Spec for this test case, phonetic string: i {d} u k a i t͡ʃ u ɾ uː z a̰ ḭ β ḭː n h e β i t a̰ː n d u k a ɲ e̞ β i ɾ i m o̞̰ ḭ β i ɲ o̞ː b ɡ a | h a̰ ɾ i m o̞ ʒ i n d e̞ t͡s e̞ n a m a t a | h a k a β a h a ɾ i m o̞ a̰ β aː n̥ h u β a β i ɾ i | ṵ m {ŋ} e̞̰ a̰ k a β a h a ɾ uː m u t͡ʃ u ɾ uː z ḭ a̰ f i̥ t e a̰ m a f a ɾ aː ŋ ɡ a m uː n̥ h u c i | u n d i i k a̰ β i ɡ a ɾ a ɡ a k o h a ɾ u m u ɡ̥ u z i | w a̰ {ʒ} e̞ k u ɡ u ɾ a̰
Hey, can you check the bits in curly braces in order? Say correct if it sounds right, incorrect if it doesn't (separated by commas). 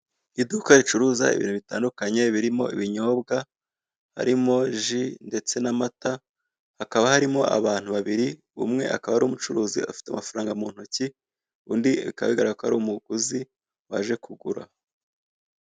correct, correct, correct